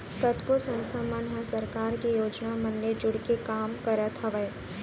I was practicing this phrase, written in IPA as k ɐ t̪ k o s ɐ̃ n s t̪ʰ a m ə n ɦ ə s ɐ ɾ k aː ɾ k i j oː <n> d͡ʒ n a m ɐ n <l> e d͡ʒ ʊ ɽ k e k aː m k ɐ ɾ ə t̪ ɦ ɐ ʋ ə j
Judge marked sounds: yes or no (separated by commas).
no, yes